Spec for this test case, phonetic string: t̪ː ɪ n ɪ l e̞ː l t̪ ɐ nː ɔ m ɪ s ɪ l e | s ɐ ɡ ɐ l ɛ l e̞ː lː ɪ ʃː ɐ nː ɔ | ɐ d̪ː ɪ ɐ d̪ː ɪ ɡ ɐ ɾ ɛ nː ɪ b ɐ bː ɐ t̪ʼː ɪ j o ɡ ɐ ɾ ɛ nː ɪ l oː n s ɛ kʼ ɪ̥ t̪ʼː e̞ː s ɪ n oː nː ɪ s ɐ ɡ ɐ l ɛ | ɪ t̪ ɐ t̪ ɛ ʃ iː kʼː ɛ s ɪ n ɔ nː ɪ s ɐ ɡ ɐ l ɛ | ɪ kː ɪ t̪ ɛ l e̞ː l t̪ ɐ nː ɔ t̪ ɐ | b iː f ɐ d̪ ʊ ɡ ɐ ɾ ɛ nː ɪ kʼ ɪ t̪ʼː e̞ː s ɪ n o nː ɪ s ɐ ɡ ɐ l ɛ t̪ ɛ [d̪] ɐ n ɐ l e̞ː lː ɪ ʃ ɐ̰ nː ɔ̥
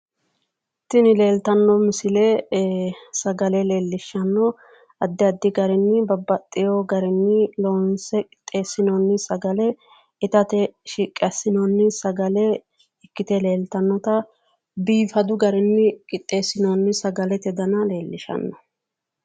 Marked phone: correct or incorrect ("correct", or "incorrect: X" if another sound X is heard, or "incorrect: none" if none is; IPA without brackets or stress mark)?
correct